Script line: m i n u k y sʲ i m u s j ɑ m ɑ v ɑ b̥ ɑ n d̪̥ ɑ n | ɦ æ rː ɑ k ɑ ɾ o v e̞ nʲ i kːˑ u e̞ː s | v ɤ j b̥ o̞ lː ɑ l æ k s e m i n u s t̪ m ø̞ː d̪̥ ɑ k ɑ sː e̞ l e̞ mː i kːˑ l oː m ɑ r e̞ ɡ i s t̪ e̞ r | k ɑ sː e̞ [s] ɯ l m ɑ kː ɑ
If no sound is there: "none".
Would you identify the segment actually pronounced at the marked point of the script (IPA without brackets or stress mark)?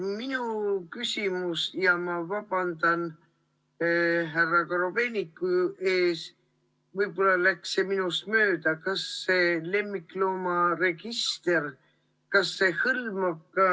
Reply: h